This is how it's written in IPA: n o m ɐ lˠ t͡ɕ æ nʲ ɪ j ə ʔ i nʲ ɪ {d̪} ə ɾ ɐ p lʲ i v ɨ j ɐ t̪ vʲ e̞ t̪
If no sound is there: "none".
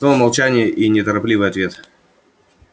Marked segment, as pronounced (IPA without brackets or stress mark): t̪